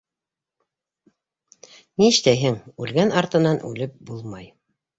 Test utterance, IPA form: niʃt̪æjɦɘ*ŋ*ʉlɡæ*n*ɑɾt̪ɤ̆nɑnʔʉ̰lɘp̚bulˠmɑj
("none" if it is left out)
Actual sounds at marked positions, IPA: ŋ, n

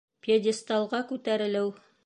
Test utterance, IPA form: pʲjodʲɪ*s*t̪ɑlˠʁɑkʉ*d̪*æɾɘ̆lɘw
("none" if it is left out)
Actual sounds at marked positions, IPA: s, t̪

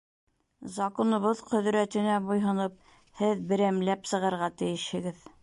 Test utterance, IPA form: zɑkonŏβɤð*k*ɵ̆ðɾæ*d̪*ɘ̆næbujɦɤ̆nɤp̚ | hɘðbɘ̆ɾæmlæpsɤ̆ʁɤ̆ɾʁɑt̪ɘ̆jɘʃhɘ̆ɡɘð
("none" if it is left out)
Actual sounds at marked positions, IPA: q, t̪

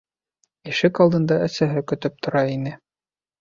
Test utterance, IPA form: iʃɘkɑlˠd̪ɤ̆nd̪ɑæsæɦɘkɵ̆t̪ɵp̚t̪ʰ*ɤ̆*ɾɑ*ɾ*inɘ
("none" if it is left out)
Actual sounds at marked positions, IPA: ŏ, none

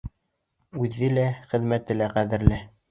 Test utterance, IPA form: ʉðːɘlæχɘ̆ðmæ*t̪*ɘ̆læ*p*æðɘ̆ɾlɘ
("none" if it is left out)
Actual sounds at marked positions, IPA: t̪, q

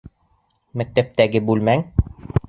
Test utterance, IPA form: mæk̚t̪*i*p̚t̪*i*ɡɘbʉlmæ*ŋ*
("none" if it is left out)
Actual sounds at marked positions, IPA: æ, æ, ŋ

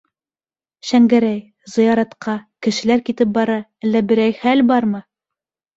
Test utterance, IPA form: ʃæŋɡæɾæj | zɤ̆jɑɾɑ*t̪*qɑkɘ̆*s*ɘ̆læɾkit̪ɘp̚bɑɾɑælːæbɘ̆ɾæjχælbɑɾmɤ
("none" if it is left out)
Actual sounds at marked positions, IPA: t̪, ʃ

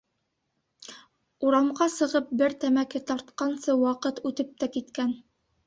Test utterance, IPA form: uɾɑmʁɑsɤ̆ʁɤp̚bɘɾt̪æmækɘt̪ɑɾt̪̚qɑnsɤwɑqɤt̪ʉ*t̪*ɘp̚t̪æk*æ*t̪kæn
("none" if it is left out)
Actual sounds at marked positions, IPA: t̪, i

